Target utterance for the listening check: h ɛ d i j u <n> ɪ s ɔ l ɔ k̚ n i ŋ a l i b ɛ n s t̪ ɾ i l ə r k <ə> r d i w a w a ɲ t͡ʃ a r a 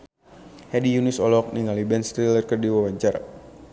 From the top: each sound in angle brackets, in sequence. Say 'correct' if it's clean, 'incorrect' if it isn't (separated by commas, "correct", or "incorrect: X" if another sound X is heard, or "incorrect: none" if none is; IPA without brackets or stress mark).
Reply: correct, correct